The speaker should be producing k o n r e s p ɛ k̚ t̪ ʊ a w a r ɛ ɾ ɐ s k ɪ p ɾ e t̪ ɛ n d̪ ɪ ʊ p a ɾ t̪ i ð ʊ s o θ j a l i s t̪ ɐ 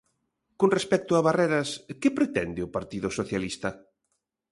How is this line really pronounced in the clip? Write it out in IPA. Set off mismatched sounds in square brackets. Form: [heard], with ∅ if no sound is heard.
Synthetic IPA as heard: k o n r e s p ɛ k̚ t̪ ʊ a [β] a r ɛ ɾ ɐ s k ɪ p ɾ e t̪ ɛ n d̪ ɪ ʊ p a ɾ t̪ i ð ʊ s o θ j a l i s t̪ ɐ